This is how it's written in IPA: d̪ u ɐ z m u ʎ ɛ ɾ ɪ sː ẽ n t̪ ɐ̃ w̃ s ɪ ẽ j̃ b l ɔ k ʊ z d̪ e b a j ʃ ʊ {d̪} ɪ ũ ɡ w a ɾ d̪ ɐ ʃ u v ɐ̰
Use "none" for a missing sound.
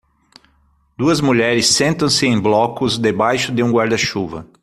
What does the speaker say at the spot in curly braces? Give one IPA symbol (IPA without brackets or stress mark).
d̪